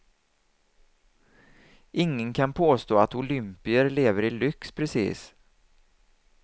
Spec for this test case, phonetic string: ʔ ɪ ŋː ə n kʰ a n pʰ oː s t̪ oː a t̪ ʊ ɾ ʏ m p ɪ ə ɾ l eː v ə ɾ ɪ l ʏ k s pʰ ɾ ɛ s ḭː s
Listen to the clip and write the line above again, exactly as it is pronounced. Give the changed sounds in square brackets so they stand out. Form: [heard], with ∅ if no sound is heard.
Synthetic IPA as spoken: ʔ ɪ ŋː ə n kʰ a n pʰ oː s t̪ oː a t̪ ʊ [l] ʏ m p ɪ ə ɾ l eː v ə ɾ ɪ l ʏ k s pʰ ɾ ɛ s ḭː s